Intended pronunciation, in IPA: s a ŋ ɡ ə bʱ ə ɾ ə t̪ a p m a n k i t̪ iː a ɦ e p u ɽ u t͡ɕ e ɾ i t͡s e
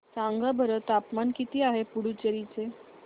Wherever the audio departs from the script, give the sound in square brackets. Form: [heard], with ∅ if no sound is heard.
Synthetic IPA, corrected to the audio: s a ŋ ɡ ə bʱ ə ɾ ə t̪ a p m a n k i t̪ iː a ɦ e p u ɽ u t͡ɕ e ɾ i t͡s e